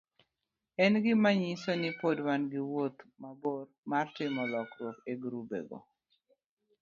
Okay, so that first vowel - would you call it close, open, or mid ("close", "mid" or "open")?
mid